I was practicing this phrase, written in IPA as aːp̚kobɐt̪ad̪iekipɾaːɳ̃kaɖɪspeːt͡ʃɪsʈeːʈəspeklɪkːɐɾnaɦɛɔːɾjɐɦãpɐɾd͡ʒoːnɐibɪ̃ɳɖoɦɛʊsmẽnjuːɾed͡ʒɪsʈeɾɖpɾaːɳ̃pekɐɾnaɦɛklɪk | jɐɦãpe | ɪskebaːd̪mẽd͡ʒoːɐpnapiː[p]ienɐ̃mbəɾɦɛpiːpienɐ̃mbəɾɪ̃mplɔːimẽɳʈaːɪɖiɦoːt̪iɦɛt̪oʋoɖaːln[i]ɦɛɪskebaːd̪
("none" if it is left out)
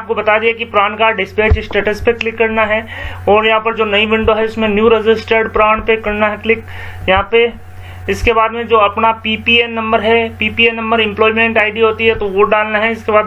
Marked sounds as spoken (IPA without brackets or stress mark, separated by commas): p, a